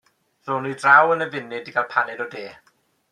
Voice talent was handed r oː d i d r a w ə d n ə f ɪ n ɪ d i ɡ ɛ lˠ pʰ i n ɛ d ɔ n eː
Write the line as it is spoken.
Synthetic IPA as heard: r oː n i d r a w ə n ə v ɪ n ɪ d i ɡ a lˠ pʰ a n ɛ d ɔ d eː